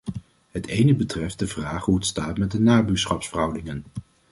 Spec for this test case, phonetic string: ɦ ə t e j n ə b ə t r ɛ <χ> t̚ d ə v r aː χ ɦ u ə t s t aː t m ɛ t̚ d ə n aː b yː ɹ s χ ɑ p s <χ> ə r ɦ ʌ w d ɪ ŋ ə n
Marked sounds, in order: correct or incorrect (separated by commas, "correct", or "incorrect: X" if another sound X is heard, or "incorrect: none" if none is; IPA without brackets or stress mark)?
incorrect: f, incorrect: f